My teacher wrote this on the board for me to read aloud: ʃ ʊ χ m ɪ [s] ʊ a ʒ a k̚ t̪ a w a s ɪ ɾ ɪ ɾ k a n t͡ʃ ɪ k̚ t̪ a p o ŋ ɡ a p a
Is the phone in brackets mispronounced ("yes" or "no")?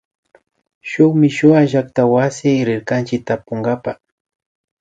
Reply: yes